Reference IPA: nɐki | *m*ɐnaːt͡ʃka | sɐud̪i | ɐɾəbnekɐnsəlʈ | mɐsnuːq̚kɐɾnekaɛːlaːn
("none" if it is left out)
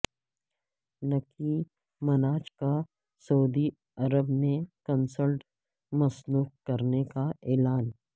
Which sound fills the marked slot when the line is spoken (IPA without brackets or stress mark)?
m